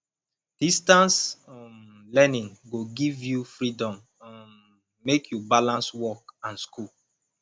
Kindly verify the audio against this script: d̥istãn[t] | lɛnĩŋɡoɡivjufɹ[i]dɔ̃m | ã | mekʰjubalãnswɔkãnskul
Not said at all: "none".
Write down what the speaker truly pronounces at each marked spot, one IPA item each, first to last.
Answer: s, i

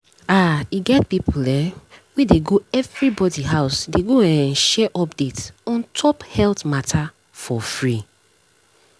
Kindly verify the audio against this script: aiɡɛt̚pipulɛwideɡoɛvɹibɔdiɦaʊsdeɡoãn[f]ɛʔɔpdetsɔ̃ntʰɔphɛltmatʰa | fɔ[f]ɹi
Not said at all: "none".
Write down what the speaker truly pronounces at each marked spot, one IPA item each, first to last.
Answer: ʃ, f

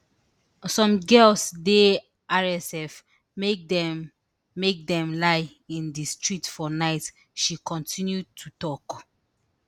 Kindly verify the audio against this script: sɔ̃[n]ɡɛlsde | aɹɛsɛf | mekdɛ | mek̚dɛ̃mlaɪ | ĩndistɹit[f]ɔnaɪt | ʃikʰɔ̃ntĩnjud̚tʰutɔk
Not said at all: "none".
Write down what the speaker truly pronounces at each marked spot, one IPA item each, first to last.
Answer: m, f

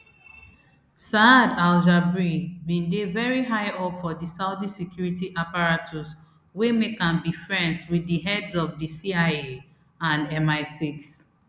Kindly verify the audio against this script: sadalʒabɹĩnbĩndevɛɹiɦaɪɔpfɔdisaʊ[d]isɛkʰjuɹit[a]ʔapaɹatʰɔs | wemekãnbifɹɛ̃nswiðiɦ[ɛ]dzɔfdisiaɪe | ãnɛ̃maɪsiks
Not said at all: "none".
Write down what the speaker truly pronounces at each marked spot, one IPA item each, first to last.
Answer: d, i, ɛ

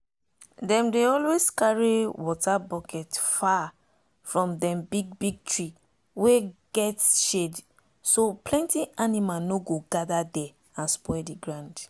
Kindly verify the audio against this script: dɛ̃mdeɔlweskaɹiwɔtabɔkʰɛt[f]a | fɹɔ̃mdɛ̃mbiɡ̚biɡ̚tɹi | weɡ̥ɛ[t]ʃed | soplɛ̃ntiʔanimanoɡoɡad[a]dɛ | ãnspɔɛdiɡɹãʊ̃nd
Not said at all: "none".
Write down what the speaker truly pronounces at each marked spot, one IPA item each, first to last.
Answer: f, t, a

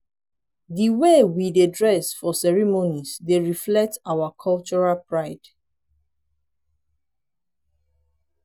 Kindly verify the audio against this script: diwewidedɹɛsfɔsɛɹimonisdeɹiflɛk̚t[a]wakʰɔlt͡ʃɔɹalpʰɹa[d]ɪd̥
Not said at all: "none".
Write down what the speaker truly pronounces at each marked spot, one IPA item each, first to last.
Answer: a, none

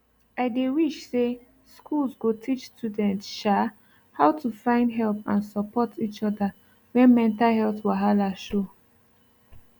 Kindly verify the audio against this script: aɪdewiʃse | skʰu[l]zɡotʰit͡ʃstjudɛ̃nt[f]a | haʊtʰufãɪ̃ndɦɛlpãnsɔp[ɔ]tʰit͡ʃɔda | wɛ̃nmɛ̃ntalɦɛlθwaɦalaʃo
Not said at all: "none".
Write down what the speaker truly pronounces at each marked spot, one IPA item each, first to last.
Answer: l, ʃ, ɔ

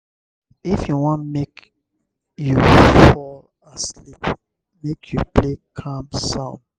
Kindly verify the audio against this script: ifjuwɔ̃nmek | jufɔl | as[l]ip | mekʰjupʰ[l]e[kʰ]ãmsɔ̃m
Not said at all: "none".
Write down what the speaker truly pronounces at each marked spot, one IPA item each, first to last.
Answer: l, l, kʰ

